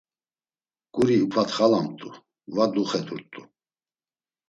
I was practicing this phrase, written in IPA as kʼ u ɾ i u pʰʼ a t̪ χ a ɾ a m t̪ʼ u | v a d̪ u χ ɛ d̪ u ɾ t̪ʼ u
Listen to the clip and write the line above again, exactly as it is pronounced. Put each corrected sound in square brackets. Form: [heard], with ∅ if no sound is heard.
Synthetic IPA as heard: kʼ u ɾ i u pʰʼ a t̪ χ a [l] a m t̪ʼ u | v a d̪ u χ ɛ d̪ u ɾ t̪ʼ u

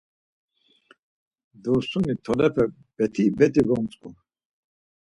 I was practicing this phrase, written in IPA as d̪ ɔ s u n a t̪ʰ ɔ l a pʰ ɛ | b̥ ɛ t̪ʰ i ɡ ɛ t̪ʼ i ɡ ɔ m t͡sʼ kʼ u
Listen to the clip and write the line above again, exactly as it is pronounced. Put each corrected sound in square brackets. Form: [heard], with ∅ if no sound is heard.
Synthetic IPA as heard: d̪ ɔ s u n [i] t̪ʰ ɔ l [ɛ] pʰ ɛ | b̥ ɛ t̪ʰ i [b] ɛ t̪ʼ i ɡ ɔ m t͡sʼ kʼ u

